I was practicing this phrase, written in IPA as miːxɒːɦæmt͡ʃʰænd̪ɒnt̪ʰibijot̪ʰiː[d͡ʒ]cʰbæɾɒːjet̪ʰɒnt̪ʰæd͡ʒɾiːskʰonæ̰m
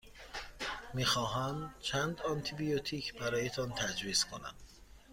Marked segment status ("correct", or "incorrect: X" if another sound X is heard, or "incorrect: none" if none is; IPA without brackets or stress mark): incorrect: none